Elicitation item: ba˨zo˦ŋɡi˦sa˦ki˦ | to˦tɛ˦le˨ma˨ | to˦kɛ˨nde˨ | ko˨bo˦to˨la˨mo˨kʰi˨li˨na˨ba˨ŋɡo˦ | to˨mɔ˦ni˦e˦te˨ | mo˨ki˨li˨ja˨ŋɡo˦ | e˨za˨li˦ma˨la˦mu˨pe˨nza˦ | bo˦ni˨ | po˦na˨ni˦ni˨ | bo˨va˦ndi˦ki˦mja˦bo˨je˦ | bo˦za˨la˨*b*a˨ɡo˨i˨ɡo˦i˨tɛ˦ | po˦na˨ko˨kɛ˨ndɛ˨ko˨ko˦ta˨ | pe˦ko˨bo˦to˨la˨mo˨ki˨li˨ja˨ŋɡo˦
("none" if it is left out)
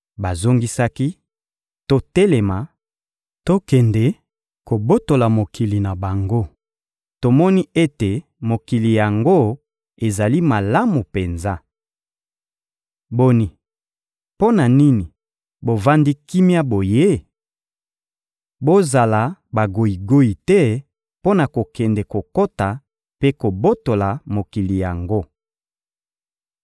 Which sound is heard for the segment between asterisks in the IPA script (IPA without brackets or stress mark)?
b